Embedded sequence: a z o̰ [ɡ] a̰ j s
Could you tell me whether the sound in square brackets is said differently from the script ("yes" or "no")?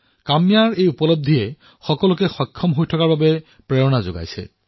no